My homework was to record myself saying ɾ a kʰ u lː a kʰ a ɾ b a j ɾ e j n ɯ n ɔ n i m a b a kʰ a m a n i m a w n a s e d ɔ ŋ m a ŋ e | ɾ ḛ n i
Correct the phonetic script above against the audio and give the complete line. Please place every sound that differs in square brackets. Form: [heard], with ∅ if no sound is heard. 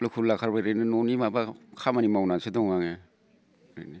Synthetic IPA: [l] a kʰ u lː a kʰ a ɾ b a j ɾ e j n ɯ n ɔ n i m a b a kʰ a m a n i m a w n a s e d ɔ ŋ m a ŋ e | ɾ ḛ n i